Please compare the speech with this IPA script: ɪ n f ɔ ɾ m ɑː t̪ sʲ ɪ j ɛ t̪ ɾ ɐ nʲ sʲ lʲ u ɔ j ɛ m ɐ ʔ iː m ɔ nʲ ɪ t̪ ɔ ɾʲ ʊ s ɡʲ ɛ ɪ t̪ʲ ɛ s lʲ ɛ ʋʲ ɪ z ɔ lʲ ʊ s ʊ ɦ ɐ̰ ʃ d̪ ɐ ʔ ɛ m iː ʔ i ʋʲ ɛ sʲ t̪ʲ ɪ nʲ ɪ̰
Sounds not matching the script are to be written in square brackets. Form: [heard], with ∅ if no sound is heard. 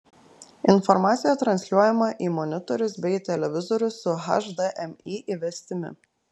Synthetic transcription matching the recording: ɪ n f ɔ ɾ m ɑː t̪ sʲ ɪ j ɛ t̪ ɾ ɐ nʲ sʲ lʲ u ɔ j ɛ m ɐ ʔ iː m ɔ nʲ ɪ t̪ ɔ ɾʲ ʊ s [bʲ] ɛ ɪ t̪ʲ ɛ [∅] lʲ ɛ ʋʲ ɪ z ɔ [ɾʲ] ʊ s ʊ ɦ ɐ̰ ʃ d̪ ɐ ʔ ɛ m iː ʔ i ʋʲ ɛ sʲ t̪ʲ ɪ [mʲ] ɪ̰